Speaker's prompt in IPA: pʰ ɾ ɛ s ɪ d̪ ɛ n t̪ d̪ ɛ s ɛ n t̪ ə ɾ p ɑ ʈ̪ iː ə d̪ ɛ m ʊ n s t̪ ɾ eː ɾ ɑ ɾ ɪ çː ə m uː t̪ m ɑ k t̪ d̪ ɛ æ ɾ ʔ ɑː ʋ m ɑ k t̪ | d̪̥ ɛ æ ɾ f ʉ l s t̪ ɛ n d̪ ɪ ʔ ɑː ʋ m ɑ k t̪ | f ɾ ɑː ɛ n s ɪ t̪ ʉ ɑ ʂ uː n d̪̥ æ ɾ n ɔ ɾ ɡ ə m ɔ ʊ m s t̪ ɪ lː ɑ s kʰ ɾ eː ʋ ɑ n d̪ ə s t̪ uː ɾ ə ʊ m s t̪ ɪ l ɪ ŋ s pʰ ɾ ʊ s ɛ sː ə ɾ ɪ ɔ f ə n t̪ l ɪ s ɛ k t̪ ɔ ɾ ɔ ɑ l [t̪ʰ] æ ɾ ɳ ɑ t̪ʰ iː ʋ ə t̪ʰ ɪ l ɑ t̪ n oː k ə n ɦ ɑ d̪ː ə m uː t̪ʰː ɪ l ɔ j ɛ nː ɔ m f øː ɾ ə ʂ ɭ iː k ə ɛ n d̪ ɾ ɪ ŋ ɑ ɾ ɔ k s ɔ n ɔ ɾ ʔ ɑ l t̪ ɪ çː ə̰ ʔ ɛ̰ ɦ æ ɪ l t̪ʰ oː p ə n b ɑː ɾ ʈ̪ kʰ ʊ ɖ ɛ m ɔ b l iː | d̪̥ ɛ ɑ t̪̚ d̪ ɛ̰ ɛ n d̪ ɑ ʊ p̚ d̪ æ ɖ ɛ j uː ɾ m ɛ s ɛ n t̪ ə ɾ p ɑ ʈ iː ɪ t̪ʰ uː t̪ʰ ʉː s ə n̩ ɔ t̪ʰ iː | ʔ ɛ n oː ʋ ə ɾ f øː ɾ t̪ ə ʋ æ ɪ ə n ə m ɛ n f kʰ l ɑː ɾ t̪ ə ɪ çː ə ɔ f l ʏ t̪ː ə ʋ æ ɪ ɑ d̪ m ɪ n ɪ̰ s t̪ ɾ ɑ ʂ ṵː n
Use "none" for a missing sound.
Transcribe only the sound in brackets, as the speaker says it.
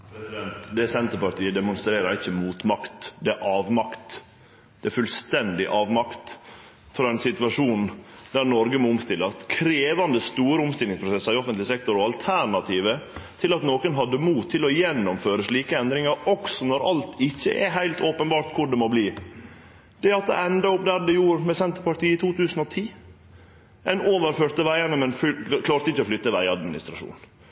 t̪ʰ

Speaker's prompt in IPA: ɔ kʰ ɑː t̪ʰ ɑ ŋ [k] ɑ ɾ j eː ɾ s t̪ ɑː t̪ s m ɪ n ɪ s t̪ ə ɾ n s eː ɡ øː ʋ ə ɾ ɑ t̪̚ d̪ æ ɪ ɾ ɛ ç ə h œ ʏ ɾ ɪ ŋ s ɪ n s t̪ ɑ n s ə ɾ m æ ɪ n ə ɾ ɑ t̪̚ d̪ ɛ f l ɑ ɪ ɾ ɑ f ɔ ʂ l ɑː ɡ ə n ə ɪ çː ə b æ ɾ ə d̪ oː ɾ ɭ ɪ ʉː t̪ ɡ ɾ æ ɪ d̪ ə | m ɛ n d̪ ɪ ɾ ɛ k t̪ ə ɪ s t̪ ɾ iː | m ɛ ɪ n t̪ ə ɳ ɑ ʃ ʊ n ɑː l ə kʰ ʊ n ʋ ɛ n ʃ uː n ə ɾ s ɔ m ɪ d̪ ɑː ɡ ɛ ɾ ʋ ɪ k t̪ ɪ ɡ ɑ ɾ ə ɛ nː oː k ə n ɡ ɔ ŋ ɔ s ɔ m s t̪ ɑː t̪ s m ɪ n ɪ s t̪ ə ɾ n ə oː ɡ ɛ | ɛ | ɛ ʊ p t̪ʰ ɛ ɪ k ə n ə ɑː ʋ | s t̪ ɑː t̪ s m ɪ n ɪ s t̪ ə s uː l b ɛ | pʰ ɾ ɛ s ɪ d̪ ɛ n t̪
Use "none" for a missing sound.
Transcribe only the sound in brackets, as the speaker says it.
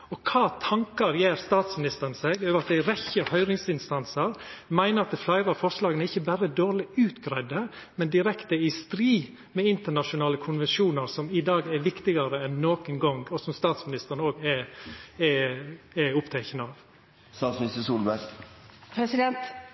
k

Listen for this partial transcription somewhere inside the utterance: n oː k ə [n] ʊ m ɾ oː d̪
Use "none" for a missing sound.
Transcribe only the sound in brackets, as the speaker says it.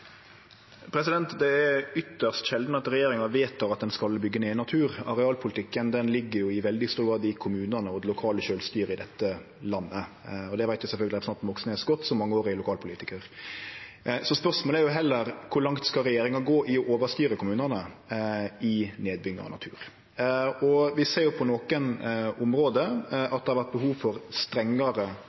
n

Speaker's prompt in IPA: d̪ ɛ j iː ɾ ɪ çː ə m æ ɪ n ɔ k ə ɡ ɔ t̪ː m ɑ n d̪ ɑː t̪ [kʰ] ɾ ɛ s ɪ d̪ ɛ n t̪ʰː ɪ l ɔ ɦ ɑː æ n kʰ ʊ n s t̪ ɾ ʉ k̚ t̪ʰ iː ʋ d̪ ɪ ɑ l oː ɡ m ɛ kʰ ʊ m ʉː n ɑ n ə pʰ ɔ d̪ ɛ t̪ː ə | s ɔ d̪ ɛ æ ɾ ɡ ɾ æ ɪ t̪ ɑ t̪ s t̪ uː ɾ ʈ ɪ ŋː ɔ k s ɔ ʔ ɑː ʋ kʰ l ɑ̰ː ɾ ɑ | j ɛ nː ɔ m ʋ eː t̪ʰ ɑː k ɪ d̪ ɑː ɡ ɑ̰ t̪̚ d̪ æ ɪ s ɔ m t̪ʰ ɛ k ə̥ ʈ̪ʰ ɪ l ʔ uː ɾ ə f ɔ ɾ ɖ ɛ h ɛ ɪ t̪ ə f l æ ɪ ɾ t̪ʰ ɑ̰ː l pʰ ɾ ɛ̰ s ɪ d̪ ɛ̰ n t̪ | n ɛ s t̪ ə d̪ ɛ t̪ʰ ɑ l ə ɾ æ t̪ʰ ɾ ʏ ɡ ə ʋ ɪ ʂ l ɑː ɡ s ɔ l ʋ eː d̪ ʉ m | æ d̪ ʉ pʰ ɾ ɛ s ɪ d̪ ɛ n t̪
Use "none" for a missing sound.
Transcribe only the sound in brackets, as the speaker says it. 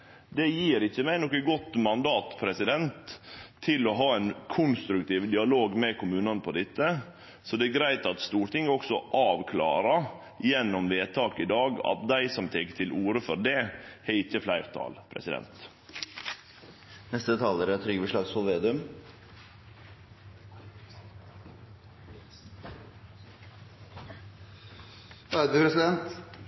pʰ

